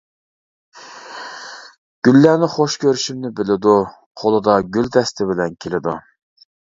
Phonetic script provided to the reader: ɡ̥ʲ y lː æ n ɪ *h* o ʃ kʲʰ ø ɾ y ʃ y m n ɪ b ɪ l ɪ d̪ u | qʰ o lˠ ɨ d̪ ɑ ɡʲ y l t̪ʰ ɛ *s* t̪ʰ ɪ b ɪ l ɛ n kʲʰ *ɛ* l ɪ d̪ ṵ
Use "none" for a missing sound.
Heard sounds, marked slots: χ, s, e

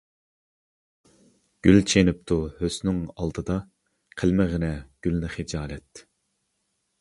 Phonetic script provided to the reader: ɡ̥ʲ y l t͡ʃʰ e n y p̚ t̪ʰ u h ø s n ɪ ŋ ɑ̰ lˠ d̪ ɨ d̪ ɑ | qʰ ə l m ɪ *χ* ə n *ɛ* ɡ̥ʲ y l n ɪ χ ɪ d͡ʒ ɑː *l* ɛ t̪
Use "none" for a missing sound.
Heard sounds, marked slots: ʁ, ɛ, l

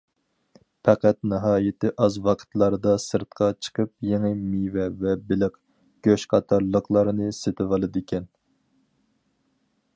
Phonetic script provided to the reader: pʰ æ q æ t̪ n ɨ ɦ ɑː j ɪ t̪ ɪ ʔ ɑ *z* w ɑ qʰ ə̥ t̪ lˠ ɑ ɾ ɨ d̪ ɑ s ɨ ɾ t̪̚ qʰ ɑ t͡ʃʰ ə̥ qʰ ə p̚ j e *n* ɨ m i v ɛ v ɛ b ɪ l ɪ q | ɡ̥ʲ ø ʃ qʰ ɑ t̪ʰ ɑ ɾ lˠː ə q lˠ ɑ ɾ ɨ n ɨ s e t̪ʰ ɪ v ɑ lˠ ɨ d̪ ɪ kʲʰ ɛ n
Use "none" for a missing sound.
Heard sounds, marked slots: z, ŋ

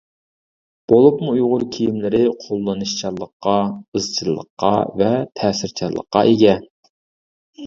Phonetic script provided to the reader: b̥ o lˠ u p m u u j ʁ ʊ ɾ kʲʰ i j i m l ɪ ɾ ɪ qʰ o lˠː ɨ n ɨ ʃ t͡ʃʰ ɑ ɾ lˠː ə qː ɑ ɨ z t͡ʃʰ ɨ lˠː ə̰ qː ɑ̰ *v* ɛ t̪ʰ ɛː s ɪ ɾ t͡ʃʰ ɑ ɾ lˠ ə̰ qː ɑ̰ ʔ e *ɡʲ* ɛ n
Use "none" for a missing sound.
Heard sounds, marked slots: v, ɡʲ

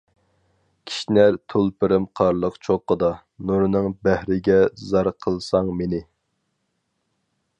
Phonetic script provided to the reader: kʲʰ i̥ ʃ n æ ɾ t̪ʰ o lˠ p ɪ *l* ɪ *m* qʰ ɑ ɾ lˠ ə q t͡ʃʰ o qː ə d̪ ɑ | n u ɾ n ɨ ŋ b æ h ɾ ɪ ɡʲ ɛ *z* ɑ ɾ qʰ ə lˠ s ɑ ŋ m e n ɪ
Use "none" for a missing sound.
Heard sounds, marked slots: ɾ, m, z

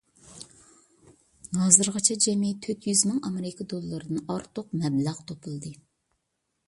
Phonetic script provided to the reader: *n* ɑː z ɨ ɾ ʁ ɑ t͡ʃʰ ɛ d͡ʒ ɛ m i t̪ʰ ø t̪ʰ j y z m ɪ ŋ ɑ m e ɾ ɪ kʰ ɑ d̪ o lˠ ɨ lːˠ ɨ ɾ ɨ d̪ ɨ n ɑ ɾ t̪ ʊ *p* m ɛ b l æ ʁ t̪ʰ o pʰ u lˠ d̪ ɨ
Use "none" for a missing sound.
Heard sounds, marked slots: n, q

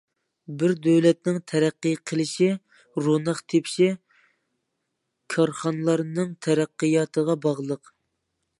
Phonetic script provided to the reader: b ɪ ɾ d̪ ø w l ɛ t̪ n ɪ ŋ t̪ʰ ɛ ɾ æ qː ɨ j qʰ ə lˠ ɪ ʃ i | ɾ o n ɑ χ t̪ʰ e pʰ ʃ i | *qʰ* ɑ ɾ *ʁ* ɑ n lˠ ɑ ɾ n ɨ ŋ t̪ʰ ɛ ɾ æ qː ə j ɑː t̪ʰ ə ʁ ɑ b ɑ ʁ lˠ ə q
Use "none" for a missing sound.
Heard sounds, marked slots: kʰ, χ

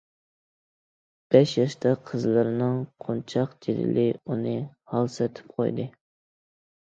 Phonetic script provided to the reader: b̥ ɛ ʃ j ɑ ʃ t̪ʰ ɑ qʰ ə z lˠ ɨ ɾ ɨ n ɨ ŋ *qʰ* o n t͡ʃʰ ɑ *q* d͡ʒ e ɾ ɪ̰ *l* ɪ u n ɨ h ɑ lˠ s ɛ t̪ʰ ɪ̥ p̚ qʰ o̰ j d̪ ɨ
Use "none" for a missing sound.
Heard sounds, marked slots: qʰ, q, l

